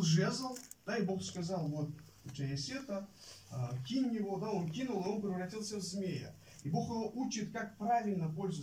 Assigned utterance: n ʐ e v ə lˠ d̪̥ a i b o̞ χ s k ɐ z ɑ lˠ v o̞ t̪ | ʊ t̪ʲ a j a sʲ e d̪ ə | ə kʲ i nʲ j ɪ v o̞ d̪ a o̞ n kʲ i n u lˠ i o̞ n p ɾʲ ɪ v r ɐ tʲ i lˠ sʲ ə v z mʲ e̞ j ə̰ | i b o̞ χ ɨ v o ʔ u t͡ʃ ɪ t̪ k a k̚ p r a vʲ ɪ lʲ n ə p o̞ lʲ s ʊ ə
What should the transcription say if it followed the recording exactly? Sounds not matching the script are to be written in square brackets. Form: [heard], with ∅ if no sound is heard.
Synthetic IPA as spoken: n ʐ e [z] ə lˠ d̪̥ a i b o̞ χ s k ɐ z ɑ lˠ v o̞ t̪ | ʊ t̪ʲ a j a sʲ e [t̪] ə | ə kʲ i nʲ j ɪ v o̞ d̪ a o̞ n kʲ i n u lˠ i o̞ n p ɾʲ ɪ v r ɐ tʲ i lˠ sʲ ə v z mʲ e̞ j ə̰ | i b o̞ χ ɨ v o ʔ u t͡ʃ ɪ t̪ k a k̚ p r a vʲ ɪ lʲ n ə p o̞ lʲ [z] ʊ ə